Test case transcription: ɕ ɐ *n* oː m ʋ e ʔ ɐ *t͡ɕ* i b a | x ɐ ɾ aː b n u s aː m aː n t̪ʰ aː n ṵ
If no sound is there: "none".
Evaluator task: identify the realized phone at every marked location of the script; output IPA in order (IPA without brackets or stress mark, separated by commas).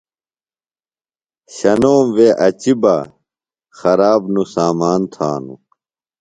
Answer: n, t͡ɕ